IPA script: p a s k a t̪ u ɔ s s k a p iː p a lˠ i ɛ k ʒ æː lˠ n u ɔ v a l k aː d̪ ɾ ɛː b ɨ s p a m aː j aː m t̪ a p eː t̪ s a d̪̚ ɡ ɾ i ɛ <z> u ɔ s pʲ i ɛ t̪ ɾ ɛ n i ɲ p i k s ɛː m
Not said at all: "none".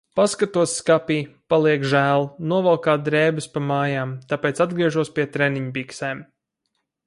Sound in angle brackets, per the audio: ʒ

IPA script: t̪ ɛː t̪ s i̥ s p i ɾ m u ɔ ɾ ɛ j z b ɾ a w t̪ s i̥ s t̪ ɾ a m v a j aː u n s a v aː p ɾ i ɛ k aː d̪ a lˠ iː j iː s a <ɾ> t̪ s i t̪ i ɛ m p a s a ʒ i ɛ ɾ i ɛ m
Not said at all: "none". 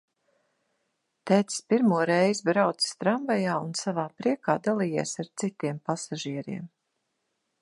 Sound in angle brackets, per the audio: ɾ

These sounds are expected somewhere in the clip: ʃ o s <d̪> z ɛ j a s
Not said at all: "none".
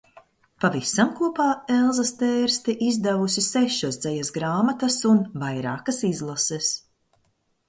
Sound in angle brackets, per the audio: d̪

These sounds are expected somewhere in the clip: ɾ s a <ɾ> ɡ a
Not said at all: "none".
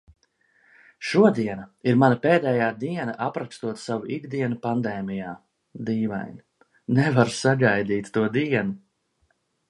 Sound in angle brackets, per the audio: none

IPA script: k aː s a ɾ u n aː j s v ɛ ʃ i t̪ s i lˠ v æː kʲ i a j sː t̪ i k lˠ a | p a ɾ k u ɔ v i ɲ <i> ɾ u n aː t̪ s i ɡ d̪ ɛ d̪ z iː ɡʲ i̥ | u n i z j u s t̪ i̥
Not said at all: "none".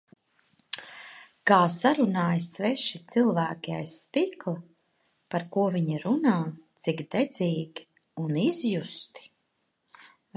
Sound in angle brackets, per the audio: i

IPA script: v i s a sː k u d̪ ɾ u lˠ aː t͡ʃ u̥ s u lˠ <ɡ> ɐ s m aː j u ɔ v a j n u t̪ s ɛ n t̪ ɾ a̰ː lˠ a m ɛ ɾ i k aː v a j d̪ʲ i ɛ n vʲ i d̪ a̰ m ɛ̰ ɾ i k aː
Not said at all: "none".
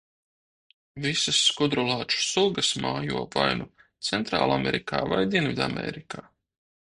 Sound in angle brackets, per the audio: ɡ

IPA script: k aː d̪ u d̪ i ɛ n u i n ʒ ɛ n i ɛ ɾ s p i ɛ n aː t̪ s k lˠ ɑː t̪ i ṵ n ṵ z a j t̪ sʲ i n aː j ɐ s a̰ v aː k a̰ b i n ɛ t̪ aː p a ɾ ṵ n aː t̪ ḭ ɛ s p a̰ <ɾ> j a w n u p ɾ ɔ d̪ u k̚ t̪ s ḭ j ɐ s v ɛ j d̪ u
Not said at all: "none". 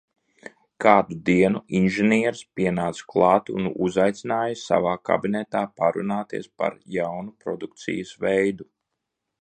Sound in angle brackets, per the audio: ɾ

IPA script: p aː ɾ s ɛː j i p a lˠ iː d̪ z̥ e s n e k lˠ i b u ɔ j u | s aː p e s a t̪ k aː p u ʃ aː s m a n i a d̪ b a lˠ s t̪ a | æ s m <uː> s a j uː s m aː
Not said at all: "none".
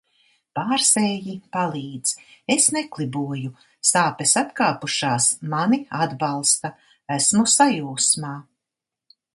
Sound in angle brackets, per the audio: u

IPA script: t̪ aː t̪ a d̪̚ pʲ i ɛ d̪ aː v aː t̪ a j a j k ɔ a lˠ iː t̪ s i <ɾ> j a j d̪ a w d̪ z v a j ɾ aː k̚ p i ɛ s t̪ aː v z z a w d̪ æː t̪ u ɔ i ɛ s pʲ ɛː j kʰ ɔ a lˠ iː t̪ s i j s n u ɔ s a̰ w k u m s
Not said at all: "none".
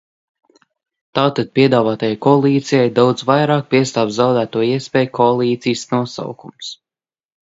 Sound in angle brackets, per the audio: none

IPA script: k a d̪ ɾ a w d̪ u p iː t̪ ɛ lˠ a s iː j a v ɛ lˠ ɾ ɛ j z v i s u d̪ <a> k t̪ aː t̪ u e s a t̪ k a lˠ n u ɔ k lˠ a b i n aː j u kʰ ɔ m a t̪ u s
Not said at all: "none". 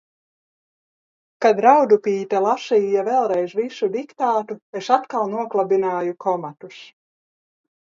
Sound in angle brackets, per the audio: i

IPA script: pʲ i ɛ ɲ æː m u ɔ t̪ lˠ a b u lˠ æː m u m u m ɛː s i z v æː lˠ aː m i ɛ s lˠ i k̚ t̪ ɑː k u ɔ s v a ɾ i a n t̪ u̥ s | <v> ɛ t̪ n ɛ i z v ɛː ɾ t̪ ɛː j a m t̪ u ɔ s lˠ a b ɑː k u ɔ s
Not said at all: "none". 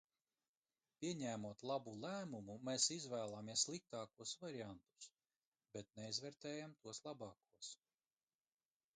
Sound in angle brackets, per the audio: b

